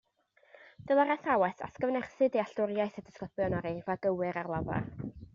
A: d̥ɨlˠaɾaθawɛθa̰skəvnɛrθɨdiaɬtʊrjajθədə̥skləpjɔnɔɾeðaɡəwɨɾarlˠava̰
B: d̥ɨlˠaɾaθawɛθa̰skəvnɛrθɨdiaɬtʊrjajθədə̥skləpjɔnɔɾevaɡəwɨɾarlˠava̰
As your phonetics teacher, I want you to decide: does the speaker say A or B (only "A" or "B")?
B